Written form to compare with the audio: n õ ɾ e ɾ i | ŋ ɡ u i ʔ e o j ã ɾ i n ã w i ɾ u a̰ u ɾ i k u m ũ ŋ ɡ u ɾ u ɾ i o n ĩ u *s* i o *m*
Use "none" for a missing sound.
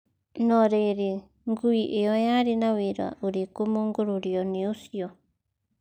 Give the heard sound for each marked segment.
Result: s, none

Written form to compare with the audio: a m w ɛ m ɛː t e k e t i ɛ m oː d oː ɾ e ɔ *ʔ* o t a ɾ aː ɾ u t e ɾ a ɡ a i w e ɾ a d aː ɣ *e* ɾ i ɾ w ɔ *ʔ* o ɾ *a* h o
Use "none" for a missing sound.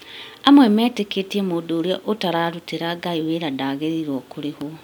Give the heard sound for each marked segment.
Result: ʔ, e, k, e

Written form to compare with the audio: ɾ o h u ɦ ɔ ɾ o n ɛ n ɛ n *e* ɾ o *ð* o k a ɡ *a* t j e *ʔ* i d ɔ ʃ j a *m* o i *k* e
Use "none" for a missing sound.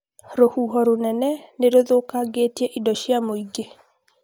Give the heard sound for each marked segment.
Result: e, ð, e, ʔ, m, ɡ

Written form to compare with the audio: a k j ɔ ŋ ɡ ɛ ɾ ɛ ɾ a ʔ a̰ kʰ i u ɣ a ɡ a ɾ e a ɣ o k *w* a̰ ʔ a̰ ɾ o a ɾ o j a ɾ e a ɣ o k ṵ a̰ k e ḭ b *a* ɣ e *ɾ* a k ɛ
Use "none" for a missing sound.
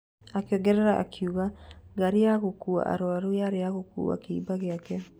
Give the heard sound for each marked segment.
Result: u, a, none

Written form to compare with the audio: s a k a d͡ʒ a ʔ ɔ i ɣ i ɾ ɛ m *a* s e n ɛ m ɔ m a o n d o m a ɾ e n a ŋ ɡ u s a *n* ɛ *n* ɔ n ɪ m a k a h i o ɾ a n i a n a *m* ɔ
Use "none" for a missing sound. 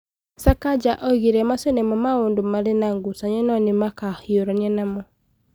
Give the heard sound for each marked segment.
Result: a, ɲ, n, m

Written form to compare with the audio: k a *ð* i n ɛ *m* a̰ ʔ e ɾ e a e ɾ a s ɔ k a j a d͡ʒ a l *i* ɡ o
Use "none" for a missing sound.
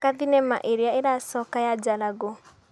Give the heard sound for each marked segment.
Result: ð, m, a

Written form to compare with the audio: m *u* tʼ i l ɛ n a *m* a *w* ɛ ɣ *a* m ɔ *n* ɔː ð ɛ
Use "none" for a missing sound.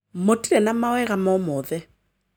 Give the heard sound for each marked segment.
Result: o, m, w, a, m

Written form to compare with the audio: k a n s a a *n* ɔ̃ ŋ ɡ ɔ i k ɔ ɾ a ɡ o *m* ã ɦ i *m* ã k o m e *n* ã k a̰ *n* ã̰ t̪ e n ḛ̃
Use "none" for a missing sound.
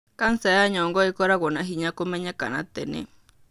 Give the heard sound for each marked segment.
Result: ɲ, n, ɲ, ɲ, n

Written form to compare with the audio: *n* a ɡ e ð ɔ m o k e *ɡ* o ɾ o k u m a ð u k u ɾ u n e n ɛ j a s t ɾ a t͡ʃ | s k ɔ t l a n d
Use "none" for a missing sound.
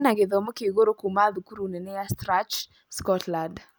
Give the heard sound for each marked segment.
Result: n, ɡ

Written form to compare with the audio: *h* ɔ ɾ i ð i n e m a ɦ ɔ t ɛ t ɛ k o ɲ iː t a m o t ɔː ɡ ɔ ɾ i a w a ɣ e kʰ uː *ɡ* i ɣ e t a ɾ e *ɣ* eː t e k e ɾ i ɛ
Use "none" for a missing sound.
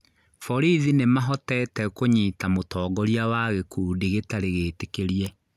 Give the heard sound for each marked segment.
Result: f, d, ɣ

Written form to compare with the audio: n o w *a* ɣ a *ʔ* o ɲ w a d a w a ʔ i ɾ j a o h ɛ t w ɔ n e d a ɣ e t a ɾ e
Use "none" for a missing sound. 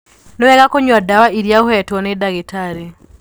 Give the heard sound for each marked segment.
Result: ɛ, k

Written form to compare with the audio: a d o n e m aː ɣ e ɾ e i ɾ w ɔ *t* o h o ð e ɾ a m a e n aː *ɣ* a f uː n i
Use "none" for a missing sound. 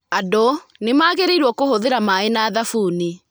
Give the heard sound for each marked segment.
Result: k, ð

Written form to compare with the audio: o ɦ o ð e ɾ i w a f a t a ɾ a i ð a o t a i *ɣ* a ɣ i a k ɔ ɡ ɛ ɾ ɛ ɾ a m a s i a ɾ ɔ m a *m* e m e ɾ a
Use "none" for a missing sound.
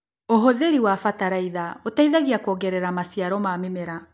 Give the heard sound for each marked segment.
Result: ð, m

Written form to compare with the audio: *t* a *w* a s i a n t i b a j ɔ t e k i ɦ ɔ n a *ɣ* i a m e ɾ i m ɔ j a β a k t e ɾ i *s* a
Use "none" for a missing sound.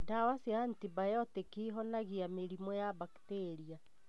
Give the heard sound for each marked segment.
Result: t, w, ɣ, none

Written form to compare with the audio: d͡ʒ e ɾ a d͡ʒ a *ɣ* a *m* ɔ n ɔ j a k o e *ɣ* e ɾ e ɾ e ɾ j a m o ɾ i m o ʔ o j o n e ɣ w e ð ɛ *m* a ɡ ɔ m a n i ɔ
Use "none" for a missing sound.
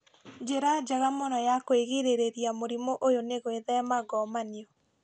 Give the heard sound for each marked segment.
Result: ɣ, m, ɣ, m

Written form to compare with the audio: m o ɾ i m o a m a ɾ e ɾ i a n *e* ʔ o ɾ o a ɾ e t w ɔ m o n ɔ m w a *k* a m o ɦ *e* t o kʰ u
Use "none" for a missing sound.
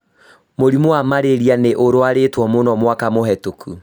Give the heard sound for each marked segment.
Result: e, k, ɛ

